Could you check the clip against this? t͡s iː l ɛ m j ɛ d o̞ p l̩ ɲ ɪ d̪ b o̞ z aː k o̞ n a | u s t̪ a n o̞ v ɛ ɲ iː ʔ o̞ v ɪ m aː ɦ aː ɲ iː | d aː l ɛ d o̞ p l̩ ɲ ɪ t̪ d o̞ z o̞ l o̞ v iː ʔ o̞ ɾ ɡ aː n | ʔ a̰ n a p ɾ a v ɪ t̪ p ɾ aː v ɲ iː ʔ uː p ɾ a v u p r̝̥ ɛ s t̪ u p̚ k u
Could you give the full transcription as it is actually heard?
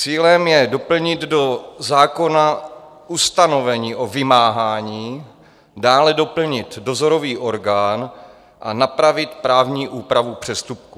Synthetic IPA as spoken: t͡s iː l ɛ m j ɛ d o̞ p l̩ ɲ ɪ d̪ d o̞ z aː k o̞ n a | u s t̪ a n o̞ v ɛ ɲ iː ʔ o̞ v ɪ m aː ɦ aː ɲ iː | d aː l ɛ d o̞ p l̩ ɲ ɪ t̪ d o̞ z o̞ ɾ o̞ v iː ʔ o̞ ɾ ɡ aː n | ʔ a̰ n a p ɾ a v ɪ t̪ p ɾ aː v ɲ iː ʔ uː p ɾ a v u p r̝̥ ɛ s t̪ u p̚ k u